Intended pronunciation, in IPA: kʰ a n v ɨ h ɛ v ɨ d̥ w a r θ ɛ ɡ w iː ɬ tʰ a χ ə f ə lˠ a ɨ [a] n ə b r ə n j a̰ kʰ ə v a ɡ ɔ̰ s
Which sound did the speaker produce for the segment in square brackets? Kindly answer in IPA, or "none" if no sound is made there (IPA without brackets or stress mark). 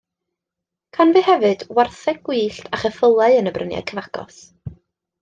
ə